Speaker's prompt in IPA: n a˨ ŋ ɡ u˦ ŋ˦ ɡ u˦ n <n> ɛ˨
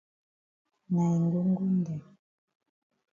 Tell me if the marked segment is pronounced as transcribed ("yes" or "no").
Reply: no